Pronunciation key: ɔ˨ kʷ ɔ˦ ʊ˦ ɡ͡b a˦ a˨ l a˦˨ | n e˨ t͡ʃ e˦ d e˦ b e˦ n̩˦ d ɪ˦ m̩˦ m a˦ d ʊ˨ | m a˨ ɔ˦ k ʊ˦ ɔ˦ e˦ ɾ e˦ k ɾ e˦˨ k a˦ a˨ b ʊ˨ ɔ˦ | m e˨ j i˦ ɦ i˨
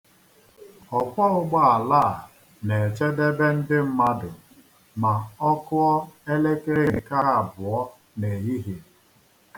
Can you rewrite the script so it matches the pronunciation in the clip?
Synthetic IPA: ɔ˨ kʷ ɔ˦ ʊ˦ ɡ͡b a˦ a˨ l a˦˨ | n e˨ t͡ʃ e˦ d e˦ b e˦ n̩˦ d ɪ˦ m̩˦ m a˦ d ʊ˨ | m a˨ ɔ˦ k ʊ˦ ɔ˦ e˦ l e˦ k ɾ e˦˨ k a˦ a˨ b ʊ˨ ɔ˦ | n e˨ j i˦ ɦ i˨